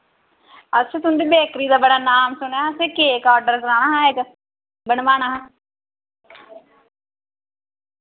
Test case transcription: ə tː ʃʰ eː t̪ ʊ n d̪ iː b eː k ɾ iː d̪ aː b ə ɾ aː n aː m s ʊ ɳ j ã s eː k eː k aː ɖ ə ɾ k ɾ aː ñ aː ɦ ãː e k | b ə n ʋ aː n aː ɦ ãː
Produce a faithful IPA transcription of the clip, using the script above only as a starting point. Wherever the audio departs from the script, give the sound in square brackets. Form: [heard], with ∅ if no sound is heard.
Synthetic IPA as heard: ə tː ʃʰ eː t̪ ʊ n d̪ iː b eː k ɾ iː d̪ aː b ə [ɽ] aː n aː m s ʊ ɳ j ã s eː k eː k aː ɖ ə ɾ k ɾ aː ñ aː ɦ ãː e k | b ə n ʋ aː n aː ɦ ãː

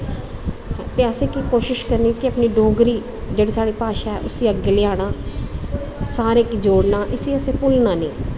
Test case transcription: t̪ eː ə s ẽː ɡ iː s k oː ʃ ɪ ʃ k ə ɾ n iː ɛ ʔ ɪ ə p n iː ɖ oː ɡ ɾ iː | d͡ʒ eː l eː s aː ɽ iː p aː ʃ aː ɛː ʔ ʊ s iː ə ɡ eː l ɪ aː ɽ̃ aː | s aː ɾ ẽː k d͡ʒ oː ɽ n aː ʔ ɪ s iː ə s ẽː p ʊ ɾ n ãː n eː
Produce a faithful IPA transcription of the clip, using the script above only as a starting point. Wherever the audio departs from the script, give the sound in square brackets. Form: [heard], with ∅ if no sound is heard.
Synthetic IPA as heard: t̪ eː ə s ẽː [k] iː [∅] k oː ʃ ɪ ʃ k ə ɾ n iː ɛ [k] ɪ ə p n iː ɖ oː ɡ ɾ iː | d͡ʒ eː [ɽ] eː s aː ɽ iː p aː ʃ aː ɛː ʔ ʊ s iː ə ɡ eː l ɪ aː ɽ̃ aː | s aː ɾ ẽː k d͡ʒ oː ɽ n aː ʔ ɪ s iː ə s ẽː p ʊ [l] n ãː n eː

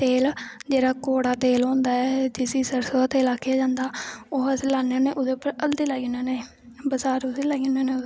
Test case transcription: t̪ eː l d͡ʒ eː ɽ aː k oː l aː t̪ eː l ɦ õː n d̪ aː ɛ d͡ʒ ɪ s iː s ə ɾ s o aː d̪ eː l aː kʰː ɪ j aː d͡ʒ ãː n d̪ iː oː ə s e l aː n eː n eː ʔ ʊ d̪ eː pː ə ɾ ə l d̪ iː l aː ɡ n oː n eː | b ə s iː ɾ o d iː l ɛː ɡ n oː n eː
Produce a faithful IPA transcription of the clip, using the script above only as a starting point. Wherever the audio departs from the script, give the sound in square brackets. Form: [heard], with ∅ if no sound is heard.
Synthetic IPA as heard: t̪ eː l d͡ʒ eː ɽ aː k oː [ɽ] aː t̪ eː l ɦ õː n d̪ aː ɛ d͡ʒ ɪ s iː s ə ɾ s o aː [t̪] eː l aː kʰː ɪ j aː d͡ʒ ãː n d̪ [aː] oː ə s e l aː n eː n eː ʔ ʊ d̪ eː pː ə ɾ ə l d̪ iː l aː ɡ n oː n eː | b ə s [aː] ɾ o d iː l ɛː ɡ n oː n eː

